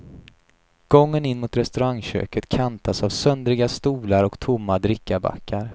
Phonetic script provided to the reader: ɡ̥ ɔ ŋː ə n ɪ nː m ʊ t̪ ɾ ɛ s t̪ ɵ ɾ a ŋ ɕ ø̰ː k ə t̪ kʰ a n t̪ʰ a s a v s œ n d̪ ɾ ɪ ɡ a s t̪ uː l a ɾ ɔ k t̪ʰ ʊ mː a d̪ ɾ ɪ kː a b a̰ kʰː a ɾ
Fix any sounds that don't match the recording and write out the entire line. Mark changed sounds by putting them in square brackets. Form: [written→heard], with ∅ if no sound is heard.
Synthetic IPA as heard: ɡ̥ ɔ ŋː ə n ɪ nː m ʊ t̪ ɾ ɛ s t̪ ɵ ɾ a ŋ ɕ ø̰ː k ə t̪ kʰ a n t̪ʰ a s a v s œ n d̪ ɾ ɪ ɡ a s t̪ uː l a ɾ ɔ k t̪ʰ ʊ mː a d̪ ɾ ɪ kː a b a̰ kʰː a ɾ